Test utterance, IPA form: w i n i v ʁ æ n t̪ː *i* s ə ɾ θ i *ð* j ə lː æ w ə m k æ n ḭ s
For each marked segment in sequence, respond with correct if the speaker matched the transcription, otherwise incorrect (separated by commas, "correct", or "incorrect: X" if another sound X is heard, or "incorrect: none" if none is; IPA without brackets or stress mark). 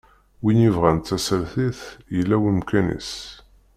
incorrect: æ, incorrect: θ